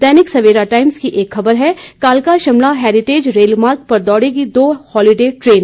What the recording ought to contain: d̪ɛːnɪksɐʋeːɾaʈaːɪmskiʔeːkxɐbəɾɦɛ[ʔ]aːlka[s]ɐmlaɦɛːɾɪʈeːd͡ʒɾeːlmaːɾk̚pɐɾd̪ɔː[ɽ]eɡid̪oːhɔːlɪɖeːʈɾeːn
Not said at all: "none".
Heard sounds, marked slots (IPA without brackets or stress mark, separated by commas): k, ʃ, ɽ